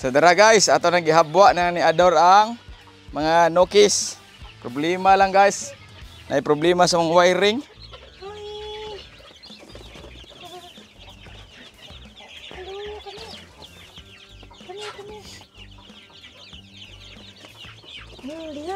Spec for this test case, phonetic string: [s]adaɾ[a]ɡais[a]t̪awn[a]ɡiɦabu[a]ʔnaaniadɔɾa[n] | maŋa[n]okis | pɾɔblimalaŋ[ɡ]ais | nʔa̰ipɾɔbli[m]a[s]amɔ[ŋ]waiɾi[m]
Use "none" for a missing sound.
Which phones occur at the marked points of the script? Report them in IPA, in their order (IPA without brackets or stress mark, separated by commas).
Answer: s, a, a, a, a, ŋ, n, ɡ, m, s, ŋ, ŋ